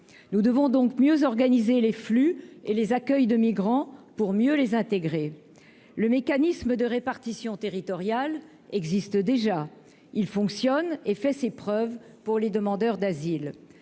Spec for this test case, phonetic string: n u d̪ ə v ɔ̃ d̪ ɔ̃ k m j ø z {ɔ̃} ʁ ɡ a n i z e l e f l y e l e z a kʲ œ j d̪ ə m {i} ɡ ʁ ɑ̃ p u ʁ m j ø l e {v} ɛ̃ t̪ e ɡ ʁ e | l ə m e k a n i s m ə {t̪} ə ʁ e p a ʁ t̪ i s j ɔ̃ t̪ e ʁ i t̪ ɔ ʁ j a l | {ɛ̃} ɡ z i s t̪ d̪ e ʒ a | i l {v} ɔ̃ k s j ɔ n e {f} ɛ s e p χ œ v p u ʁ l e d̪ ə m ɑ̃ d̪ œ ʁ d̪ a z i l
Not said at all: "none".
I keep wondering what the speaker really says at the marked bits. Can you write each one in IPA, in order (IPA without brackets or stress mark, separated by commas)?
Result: ɔ, i, z, d̪, ɛ, f, f